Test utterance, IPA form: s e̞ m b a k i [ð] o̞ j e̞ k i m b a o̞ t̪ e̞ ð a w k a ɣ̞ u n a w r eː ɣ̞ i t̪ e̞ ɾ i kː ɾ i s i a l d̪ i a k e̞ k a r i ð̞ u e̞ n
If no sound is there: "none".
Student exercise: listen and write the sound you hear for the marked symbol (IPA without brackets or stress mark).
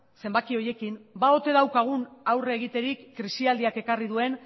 none